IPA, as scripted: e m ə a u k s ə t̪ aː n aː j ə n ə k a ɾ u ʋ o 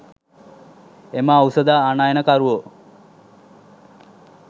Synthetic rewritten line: e m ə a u s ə d̪ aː n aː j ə n ə k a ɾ u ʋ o

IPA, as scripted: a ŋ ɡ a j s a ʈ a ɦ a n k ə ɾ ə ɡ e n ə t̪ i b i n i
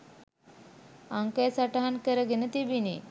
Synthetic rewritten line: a ŋ k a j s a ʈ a ɦ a n k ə ɾ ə ɡ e n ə t̪ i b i n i

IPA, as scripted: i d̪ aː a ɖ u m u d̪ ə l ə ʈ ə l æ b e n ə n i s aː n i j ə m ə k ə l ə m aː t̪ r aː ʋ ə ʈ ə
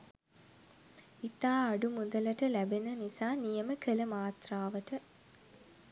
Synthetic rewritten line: i t̪ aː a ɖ u m u d̪ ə l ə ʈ ə l æ b e n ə n i s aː n i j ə m ə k ə l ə m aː t̪ r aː ʋ ə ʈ ə

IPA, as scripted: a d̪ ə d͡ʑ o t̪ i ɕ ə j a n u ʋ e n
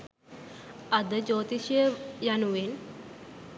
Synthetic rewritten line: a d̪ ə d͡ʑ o t̪ i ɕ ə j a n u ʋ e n

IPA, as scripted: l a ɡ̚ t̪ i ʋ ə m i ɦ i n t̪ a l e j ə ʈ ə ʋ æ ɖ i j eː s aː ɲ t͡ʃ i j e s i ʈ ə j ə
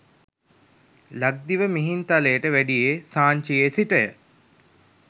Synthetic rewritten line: l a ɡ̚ d̪ i ʋ ə m i ɦ i n t̪ a l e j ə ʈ ə ʋ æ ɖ i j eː s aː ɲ t͡ʃ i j e s i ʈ ə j ə

